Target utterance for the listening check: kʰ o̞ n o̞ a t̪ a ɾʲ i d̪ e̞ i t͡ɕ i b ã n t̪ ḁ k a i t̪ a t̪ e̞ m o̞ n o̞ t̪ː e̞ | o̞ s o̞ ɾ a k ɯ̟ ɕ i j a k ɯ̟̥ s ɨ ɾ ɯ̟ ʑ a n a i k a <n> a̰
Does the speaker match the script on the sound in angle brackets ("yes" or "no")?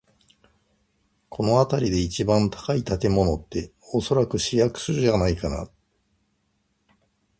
yes